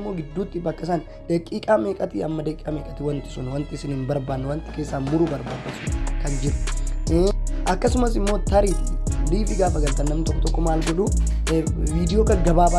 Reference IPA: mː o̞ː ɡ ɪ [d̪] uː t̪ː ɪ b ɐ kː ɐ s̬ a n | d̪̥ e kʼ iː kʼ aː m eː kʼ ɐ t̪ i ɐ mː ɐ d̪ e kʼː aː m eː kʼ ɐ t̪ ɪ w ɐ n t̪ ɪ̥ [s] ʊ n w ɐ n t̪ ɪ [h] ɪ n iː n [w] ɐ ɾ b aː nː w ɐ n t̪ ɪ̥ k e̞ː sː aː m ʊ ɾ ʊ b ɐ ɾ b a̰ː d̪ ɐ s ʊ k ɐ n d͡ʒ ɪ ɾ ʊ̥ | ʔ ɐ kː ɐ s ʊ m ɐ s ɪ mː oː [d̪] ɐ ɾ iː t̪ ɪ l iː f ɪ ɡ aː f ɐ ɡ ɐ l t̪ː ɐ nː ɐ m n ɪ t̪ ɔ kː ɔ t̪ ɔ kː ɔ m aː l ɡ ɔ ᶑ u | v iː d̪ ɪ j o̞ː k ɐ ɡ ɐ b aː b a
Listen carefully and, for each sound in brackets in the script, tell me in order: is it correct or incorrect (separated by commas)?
incorrect, correct, incorrect, incorrect, incorrect